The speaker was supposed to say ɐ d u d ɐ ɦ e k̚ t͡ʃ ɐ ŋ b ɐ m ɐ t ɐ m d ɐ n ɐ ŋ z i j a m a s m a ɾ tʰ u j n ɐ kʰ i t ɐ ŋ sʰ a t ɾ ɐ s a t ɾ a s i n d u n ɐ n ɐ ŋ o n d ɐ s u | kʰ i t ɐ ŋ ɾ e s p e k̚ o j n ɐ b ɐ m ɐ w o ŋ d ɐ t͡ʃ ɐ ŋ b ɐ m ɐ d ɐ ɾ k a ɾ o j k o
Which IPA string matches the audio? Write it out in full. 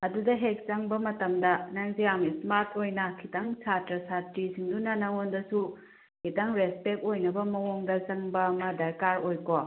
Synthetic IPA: ɐ d u d ɐ ɦ e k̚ t͡ʃ ɐ ŋ b ɐ m ɐ t ɐ m d ɐ n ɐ ŋ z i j a m i s m a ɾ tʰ o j n ɐ kʰ i t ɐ ŋ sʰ a t ɾ ɐ s a t ɾ i s i ŋ d u n ɐ n ɐ ŋ o n d ɐ s u | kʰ i t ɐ ŋ ɾ e s p e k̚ o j n ɐ b ɐ m ɐ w o ŋ d ɐ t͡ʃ ɐ ŋ b ɐ m ɐ d ɐ ɾ k a ɾ o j k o